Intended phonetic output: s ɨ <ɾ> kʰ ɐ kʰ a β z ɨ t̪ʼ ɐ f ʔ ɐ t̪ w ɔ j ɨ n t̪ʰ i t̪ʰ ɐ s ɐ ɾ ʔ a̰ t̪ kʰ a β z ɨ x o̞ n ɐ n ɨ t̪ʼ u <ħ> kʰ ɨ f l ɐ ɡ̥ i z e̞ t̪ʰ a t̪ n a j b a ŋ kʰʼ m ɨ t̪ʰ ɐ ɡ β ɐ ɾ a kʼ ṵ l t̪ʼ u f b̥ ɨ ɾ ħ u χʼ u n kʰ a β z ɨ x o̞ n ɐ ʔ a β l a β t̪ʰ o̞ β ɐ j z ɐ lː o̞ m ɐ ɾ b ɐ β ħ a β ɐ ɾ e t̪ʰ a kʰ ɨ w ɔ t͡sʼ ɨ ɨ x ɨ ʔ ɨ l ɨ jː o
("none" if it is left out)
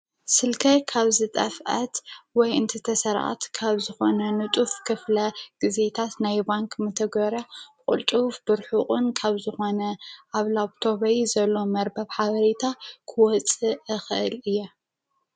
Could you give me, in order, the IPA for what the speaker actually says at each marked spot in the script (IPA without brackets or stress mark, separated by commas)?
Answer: l, f